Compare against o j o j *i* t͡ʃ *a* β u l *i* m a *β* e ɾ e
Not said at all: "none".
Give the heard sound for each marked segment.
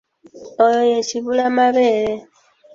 e, i, a, β

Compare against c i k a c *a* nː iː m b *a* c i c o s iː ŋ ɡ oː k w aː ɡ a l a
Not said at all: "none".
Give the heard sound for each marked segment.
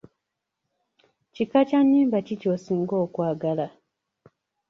a, a

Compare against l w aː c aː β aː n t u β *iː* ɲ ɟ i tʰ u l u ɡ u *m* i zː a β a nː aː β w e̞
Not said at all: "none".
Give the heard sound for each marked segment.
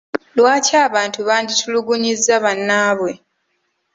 aː, ɲ

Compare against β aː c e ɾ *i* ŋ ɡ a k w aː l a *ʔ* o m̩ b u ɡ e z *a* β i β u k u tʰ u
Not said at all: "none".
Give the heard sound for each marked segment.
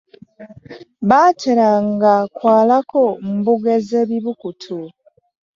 a, k, e

